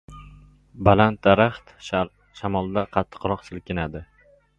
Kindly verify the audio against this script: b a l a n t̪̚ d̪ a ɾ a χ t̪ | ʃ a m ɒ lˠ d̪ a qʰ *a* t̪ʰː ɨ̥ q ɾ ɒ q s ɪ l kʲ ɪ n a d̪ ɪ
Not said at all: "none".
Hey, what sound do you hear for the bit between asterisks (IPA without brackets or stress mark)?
ɑ